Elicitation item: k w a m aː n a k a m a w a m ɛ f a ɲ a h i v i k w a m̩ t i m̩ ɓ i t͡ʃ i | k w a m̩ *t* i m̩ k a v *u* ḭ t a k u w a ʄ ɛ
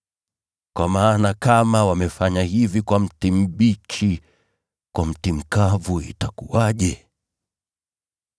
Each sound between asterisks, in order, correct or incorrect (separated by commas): correct, correct